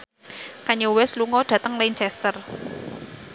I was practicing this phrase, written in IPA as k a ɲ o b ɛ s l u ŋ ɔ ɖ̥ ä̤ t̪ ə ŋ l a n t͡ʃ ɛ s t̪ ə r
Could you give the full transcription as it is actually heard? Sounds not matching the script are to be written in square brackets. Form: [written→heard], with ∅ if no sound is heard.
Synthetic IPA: k a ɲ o [b→w] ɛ s l u ŋ ɔ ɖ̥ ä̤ t̪ ə ŋ l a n t͡ʃ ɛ s t̪ ə r